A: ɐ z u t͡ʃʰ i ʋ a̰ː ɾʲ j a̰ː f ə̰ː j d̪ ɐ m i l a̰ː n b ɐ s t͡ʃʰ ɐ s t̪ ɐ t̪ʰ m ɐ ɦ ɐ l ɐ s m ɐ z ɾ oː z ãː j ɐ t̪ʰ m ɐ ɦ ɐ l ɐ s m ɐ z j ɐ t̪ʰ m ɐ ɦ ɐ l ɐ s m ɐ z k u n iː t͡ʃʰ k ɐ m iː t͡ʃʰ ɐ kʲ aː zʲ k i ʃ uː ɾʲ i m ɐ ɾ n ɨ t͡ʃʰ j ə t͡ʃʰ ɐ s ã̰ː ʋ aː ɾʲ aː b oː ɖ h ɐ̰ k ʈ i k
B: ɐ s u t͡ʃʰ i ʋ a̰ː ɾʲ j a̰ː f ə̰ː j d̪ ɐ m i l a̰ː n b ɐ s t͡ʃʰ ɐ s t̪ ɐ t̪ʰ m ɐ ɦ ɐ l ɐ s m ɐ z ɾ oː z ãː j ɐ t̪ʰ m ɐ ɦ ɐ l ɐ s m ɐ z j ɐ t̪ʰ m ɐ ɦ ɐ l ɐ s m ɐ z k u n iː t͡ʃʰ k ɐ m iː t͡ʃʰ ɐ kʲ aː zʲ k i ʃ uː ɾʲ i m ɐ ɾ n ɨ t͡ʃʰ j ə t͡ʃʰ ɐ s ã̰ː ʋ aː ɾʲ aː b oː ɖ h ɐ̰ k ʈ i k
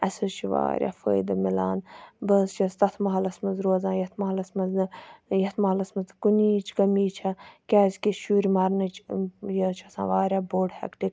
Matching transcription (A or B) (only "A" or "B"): B